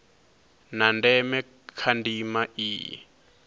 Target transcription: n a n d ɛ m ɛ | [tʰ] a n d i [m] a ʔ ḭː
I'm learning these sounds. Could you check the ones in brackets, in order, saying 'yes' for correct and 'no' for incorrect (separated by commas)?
no, yes